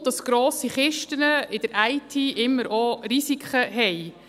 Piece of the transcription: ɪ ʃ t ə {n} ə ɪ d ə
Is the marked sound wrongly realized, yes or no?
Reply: no